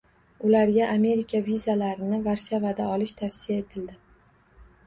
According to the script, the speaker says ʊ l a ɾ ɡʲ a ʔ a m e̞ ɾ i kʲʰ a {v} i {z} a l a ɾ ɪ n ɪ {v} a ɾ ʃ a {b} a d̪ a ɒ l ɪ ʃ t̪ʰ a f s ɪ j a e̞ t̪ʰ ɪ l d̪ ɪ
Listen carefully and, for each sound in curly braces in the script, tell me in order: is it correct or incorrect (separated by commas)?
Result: correct, correct, correct, incorrect